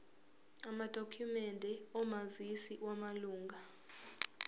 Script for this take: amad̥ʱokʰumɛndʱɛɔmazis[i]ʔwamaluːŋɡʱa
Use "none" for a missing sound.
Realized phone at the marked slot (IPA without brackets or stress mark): i